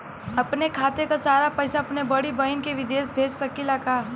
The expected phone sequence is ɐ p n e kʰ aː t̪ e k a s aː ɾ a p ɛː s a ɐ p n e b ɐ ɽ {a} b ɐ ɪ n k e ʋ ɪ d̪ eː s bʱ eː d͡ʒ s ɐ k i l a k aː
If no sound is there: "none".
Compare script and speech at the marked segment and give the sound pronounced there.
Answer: i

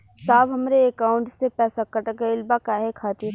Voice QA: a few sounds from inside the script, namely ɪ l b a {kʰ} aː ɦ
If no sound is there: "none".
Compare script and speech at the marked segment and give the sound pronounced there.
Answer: k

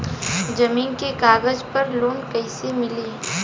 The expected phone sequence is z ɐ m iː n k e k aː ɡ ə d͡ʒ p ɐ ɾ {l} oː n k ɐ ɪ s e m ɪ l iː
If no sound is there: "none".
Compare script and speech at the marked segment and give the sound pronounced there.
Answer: l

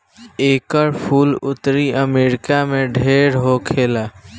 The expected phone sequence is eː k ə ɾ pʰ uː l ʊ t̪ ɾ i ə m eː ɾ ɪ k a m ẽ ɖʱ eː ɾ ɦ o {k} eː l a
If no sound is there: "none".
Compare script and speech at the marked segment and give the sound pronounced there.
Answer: kʰ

